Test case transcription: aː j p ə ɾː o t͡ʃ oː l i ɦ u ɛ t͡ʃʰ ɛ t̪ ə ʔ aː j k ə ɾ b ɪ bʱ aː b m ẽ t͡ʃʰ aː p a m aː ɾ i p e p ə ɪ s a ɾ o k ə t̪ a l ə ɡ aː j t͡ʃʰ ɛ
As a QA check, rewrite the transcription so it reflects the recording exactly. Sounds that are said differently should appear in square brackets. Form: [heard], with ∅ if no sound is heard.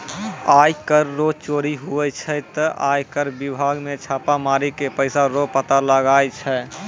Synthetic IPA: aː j [k] ə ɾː o t͡ʃ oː [ɾ] i ɦ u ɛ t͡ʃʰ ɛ t̪ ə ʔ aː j k ə ɾ b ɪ bʱ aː [ɡ] m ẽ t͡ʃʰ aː p a m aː ɾ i [k] e p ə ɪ s a ɾ o [p] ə t̪ a l ə ɡ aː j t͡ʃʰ ɛ